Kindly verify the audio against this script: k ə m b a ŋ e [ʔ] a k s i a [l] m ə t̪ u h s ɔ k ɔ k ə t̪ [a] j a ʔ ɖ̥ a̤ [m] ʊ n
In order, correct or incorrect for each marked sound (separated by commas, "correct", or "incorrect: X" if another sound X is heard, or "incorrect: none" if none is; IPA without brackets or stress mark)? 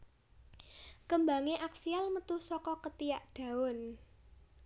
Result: correct, correct, incorrect: i, incorrect: none